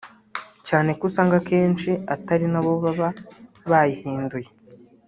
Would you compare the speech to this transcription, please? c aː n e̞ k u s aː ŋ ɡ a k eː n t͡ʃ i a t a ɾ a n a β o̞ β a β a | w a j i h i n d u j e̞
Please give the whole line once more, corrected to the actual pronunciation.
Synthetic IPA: c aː n e̞ k u s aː ŋ ɡ a k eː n t͡ʃ i a t a ɾ i n a β o̞ β a β a | β a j i h iː n d u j e̞